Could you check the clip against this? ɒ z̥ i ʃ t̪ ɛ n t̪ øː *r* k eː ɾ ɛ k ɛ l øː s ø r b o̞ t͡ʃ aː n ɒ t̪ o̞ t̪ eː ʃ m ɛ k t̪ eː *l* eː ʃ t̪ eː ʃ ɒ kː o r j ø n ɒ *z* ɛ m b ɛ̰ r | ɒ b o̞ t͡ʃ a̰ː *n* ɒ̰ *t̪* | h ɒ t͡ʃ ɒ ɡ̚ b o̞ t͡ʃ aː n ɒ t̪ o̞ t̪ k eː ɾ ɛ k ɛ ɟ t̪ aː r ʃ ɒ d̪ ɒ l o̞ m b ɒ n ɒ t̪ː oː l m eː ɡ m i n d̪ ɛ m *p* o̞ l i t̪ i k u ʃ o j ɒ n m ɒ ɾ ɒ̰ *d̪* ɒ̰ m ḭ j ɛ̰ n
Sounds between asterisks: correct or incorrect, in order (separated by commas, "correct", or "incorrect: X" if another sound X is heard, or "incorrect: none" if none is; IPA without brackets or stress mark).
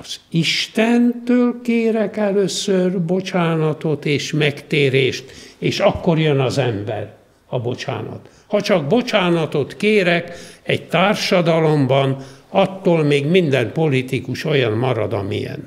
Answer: incorrect: l, incorrect: ɾ, correct, correct, correct, correct, correct